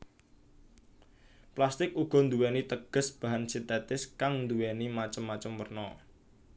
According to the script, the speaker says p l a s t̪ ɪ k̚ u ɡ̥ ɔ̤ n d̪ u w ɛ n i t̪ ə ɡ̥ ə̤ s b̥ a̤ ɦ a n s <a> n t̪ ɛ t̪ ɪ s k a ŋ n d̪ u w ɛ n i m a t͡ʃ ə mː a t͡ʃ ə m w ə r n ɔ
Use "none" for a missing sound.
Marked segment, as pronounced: i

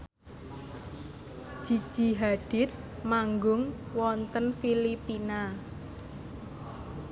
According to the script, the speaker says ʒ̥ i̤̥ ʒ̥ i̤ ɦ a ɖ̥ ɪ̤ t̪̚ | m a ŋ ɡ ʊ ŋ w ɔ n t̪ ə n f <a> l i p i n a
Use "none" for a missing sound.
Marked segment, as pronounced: i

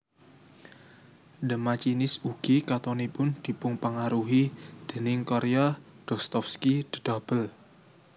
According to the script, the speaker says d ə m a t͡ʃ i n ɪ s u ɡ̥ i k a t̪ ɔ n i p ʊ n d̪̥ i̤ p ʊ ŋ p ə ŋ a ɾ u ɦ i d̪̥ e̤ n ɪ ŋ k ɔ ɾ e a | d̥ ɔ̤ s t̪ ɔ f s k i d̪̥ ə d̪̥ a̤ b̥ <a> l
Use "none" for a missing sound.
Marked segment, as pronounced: ə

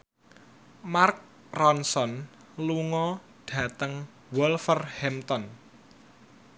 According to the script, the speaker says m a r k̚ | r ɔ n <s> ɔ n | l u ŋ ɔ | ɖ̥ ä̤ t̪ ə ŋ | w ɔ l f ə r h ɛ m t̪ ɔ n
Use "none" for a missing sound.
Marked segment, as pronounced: s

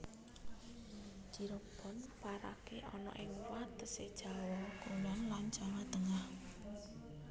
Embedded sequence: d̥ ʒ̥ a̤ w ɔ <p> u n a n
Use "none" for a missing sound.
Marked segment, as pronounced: k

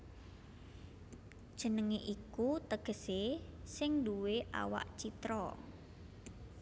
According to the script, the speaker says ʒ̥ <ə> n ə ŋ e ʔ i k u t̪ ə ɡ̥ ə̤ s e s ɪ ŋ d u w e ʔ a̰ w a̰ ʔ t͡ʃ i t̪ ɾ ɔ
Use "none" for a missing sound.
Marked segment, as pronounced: ə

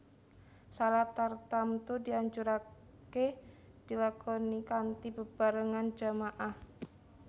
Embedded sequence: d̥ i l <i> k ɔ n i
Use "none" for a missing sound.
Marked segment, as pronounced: a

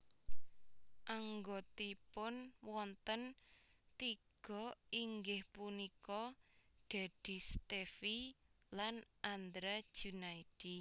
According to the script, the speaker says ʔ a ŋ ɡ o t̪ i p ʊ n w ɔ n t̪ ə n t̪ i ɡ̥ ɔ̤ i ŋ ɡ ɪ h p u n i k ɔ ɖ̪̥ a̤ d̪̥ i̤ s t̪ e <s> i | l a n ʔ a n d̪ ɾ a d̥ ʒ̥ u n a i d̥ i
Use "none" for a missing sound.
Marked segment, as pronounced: f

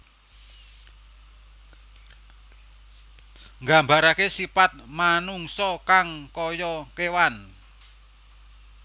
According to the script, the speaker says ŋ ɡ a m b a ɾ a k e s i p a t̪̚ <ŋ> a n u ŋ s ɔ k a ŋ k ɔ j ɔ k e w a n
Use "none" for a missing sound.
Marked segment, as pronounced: m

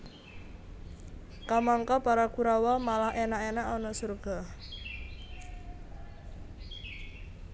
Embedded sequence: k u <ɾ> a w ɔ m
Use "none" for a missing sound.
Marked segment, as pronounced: ɾ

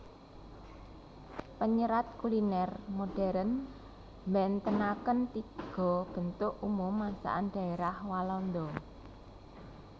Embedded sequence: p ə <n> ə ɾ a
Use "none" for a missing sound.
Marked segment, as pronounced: ɲ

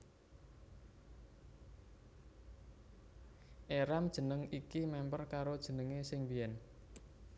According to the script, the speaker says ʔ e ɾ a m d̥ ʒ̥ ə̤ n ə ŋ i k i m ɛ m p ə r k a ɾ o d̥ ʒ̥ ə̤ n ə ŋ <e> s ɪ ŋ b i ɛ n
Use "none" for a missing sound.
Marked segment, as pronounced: e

